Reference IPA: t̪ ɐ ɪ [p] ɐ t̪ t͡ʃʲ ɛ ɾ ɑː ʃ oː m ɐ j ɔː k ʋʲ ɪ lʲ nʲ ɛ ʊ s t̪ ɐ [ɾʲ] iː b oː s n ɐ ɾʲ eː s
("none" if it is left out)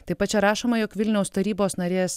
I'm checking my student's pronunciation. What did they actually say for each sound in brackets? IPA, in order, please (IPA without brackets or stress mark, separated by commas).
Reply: p, ɾʲ